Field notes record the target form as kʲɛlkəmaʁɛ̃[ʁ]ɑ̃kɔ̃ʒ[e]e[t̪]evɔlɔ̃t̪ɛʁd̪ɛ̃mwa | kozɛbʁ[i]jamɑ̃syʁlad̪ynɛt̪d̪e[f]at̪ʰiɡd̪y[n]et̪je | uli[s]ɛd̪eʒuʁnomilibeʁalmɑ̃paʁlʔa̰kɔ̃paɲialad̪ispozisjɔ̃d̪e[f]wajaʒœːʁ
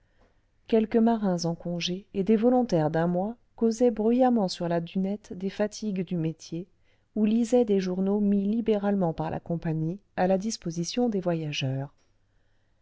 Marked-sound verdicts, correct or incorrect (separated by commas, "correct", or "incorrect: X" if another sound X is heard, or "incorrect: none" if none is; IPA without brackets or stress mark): incorrect: z, correct, incorrect: d̪, incorrect: y, correct, incorrect: m, incorrect: z, incorrect: v